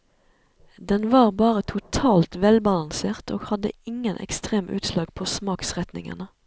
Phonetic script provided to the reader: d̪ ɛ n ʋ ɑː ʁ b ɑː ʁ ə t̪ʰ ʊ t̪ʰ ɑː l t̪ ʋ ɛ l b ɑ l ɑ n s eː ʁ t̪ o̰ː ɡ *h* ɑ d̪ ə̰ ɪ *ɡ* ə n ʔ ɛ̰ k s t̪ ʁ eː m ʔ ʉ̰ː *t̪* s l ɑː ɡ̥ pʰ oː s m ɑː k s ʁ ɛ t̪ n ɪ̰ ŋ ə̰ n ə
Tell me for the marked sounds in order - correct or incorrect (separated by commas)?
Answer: correct, incorrect, correct